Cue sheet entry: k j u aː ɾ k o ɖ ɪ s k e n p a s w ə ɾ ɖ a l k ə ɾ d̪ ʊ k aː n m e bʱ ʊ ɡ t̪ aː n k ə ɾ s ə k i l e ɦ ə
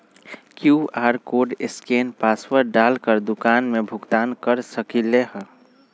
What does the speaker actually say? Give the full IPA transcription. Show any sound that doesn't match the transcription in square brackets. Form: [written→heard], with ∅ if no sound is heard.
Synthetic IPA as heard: k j u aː ɾ k o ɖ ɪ s k e n p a s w ə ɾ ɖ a l k ə ɾ d̪ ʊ k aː n m e bʱ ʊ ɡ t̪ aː n k ə ɾ s ə k i l e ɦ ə

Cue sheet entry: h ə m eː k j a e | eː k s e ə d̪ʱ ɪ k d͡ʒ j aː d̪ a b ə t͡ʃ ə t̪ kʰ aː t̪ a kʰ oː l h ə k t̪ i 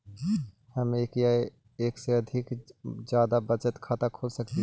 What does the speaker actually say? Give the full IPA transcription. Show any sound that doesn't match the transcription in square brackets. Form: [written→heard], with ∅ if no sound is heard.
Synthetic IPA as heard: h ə m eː k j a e | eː k s e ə d̪ʱ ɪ k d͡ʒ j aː d̪ a b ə t͡ʃ ə t̪ kʰ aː t̪ a kʰ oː l [h→s] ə k t̪ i

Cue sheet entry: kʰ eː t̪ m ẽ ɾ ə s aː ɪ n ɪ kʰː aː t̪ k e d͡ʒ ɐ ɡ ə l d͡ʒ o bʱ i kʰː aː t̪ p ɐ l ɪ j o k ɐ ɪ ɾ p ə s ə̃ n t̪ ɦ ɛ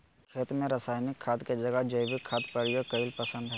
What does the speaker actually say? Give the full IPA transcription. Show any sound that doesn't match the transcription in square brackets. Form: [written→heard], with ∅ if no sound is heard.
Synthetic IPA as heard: kʰ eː t̪ m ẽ ɾ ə s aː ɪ n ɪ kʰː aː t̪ k e d͡ʒ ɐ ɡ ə [l→∅] d͡ʒ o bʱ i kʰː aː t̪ p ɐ [l→ɾ] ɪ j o k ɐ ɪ [ɾ→l] p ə s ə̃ n [t̪→d̪] ɦ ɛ

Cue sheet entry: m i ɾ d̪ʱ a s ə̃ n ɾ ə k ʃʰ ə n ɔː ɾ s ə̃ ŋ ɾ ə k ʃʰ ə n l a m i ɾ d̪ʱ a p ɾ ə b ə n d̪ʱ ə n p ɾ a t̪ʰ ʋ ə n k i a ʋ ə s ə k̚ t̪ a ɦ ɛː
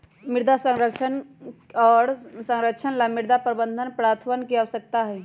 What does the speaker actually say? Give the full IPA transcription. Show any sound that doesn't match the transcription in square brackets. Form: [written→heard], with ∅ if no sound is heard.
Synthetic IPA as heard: m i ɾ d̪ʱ a s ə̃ [n→ŋ] ɾ ə k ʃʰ ə n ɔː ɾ s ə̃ ŋ ɾ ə k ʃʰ ə n l a m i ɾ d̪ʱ a p ɾ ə b ə n d̪ʱ ə n p ɾ a t̪ʰ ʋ ə n k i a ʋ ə s ə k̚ t̪ a ɦ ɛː

